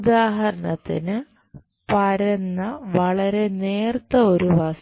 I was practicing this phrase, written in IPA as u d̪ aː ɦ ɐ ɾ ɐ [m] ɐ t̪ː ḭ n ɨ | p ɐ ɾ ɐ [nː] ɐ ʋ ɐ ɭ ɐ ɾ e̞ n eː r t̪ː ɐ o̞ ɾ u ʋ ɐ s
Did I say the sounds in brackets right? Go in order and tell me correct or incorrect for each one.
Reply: incorrect: ɳ, correct

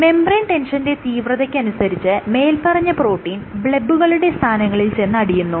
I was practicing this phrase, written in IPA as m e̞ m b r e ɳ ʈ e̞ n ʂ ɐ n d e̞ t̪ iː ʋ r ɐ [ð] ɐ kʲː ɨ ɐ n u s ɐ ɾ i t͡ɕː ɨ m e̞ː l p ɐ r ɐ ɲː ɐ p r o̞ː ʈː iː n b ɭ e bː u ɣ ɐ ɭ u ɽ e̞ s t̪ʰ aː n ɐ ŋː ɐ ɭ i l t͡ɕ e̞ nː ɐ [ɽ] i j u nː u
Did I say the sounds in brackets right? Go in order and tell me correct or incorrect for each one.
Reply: correct, correct

